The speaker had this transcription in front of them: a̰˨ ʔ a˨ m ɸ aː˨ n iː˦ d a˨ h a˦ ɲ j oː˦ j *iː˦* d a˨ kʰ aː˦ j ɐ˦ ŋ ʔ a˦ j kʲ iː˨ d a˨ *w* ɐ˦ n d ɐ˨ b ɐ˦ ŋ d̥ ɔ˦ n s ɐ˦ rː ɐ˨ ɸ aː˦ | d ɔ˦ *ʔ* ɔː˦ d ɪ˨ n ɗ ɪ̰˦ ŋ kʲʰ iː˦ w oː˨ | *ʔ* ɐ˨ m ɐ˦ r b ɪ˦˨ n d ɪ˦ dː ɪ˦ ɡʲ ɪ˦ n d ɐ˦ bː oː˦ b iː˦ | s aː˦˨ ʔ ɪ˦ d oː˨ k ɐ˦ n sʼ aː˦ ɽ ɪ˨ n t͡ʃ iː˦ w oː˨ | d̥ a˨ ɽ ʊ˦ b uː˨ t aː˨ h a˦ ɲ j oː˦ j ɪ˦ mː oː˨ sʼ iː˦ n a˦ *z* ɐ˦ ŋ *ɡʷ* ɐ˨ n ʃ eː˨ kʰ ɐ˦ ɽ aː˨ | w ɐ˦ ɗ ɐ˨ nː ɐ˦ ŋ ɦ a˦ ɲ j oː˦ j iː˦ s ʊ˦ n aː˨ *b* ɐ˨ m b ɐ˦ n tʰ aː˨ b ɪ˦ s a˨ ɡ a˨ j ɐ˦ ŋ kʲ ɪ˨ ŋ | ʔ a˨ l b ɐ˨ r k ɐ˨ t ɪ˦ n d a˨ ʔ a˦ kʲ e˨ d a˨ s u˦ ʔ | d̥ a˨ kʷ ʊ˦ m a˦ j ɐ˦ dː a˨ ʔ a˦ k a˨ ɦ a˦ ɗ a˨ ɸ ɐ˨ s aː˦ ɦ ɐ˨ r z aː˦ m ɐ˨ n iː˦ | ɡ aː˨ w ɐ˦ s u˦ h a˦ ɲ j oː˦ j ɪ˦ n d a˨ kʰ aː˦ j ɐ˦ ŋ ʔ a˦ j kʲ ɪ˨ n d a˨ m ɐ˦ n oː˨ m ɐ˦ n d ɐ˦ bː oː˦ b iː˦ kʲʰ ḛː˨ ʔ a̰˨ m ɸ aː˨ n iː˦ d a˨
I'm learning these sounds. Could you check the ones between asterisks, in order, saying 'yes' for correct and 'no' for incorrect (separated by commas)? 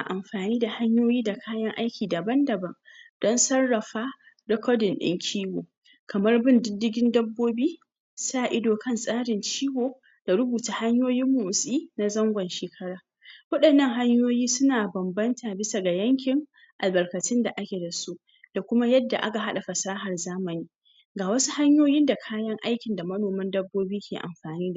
yes, no, no, no, yes, yes, yes